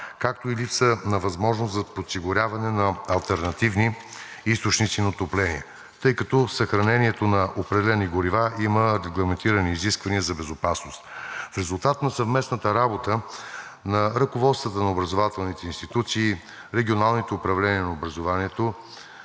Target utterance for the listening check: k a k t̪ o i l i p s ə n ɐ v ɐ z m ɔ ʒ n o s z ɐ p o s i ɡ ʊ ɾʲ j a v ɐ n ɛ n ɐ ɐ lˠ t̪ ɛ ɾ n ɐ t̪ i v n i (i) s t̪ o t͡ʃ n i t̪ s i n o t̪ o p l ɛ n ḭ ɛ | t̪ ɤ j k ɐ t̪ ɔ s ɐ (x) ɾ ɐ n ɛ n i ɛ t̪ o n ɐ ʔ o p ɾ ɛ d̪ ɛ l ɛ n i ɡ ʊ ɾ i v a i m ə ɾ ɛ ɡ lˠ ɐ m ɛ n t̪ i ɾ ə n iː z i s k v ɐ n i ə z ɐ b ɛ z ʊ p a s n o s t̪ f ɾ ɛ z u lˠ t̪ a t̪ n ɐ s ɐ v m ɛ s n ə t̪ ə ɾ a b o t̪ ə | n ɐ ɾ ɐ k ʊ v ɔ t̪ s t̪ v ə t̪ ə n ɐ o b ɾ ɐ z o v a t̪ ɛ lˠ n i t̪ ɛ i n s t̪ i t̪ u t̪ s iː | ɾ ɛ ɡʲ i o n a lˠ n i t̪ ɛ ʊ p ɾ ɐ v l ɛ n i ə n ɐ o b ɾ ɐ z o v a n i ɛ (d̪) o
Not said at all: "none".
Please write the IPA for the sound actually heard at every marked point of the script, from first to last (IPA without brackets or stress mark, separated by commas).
i, x, t̪